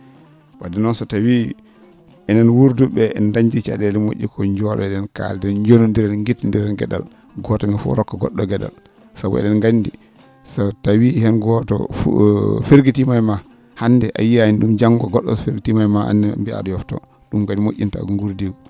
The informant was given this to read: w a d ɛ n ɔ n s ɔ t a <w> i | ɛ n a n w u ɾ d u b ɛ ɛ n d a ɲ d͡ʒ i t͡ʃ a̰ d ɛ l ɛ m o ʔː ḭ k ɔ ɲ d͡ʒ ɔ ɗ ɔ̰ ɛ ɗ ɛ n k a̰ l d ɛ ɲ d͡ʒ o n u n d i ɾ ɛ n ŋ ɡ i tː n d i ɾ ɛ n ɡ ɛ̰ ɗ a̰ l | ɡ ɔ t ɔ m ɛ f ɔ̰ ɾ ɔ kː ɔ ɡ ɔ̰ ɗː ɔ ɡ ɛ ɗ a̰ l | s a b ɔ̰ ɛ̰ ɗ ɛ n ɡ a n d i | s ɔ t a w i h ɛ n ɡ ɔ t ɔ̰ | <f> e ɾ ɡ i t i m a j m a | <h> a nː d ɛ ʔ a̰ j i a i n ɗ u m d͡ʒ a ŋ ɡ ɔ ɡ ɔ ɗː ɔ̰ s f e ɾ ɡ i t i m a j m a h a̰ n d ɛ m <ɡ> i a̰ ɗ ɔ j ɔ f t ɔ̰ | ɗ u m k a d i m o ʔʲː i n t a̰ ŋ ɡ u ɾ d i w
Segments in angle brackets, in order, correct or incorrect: correct, correct, correct, incorrect: b

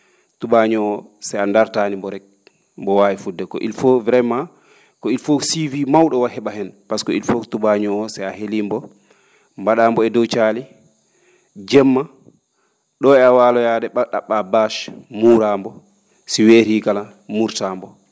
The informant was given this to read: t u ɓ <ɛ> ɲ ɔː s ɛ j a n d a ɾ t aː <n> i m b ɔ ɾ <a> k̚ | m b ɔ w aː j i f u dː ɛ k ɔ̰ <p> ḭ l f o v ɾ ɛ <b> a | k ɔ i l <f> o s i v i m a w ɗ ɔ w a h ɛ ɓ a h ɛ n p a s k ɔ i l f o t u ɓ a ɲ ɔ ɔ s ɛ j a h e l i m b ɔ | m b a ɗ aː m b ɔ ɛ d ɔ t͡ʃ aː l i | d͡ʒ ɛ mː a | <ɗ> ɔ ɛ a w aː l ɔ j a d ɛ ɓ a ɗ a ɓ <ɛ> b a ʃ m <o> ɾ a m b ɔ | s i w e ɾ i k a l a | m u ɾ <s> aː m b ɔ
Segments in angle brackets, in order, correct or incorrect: incorrect: a, correct, incorrect: ɛ, incorrect: ʔ, incorrect: m, correct, correct, incorrect: a, incorrect: u, incorrect: t

